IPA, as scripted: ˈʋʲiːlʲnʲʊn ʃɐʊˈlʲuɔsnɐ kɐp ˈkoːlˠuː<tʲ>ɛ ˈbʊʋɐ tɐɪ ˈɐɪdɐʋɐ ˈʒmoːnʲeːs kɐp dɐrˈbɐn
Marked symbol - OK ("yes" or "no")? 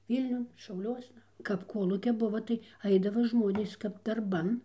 no